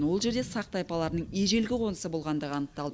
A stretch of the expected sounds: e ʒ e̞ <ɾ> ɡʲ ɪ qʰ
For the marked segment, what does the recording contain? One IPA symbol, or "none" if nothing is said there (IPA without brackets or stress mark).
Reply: l